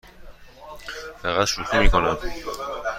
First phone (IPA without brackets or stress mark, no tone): f